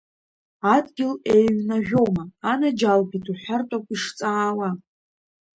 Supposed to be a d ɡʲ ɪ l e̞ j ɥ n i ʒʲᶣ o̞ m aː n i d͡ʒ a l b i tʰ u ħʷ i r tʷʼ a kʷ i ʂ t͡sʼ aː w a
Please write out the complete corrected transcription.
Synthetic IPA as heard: a d ɡʲ ɪ l e̞ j ɥ n a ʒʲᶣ o̞ m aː n a d͡ʒ a l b i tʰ u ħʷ a r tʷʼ a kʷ i ʂ t͡sʼ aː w a